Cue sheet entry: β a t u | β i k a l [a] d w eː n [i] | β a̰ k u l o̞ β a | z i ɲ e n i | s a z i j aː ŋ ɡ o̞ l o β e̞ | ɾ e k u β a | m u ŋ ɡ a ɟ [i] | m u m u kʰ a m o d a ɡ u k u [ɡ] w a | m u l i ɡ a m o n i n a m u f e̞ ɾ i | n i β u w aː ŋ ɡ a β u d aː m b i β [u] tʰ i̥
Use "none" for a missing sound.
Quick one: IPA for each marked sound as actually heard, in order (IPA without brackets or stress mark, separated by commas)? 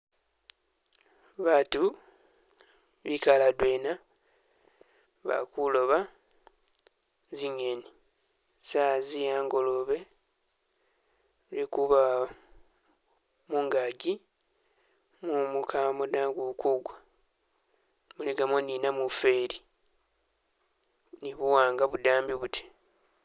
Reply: a, a, i, ɡ, u